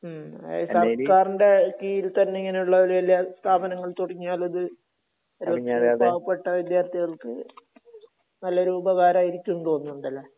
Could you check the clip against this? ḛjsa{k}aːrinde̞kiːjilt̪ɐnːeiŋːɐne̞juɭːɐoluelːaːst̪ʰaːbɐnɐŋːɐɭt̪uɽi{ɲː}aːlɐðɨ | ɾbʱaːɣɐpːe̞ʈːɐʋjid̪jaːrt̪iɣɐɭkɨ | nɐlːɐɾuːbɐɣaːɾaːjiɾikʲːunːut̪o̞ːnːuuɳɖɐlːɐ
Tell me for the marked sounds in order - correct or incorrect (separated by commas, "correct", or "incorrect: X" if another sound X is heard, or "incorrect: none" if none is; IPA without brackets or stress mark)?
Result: correct, correct